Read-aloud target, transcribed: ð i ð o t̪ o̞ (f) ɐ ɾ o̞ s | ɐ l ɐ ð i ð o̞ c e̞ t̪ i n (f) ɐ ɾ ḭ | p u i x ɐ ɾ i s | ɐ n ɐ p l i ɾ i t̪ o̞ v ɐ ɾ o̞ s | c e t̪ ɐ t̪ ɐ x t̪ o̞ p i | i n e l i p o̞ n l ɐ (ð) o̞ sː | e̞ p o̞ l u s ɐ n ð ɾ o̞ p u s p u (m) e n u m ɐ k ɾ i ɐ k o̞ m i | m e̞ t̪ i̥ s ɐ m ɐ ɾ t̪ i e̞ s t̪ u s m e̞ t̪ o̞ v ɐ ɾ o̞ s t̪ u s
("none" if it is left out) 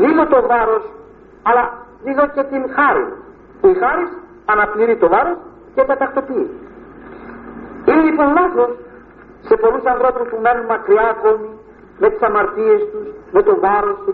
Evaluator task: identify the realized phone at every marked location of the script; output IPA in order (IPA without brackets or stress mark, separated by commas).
v, x, θ, m